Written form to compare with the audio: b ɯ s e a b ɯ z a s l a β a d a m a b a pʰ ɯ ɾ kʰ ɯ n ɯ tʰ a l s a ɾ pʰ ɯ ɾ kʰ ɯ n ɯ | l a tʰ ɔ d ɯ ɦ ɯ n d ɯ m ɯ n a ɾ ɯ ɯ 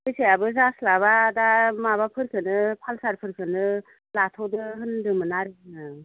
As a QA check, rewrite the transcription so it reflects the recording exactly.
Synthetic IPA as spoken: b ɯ s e a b ɯ z a s l a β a d a m a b a pʰ ɯ ɾ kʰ ɯ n ɯ pʰ a l s a ɾ pʰ ɯ ɾ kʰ ɯ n ɯ | l a tʰ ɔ d ɯ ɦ ɯ n d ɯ m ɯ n a ɾ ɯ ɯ